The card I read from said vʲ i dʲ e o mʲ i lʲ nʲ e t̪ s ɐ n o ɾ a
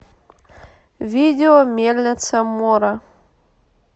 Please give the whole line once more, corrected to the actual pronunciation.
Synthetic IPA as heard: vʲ i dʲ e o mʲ e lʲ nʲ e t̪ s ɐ m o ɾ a